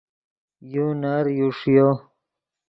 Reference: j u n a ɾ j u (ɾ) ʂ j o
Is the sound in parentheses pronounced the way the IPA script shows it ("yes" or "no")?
no